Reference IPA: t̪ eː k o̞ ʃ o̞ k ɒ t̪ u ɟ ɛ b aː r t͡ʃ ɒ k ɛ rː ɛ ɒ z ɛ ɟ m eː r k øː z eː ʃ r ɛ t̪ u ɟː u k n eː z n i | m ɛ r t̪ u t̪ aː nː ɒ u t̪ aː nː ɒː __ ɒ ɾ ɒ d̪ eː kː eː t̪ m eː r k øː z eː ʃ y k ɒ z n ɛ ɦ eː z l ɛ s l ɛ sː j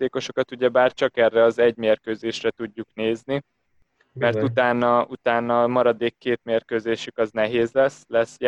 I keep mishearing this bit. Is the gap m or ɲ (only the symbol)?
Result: m